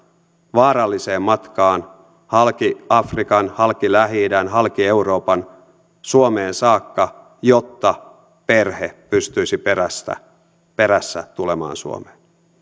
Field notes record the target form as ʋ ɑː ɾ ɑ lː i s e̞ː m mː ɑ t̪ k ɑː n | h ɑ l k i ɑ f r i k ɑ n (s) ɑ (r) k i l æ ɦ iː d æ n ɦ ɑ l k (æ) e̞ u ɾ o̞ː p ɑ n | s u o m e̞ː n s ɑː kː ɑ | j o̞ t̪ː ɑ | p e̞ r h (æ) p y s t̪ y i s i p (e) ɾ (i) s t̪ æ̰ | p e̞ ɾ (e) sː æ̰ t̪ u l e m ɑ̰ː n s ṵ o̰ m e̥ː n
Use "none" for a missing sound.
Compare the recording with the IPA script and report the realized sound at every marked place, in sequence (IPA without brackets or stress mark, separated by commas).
h, l, i, e, e, æ, æ